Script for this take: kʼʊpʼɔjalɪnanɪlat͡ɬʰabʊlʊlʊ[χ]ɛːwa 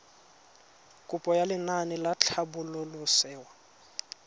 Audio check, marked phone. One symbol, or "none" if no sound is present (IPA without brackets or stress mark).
s